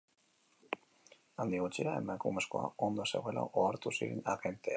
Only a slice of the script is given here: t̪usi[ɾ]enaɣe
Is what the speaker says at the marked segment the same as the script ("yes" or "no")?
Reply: yes